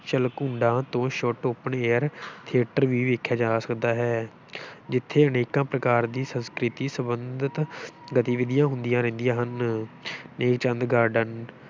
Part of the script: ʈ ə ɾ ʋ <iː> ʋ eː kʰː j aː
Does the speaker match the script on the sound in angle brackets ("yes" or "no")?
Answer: yes